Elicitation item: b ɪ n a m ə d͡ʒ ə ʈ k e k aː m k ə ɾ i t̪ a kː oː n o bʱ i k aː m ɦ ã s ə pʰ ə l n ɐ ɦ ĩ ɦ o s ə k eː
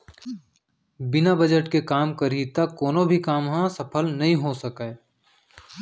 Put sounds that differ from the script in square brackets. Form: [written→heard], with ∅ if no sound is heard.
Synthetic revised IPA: b ɪ n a [m→b] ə d͡ʒ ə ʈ k e k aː m k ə ɾ i t̪ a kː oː n o bʱ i k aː m ɦ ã s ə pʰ ə l n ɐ ɦ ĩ ɦ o s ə k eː